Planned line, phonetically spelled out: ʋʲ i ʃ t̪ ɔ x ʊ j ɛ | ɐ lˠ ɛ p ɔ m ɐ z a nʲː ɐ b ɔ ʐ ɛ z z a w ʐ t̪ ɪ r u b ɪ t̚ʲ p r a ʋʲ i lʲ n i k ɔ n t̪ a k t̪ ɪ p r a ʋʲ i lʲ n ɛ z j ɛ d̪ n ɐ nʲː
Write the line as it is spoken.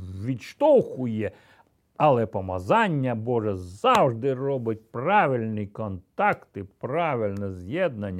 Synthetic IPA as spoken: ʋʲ i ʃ t̪ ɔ x ʊ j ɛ | ɐ lˠ ɛ p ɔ m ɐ z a nʲː ɐ b ɔ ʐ ɛ z z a w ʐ d̪ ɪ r ɔ b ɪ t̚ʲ p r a ʋʲ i lʲ n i k ɔ n t̪ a k t̪ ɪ p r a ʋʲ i lʲ n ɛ z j ɛ d̪ n ɐ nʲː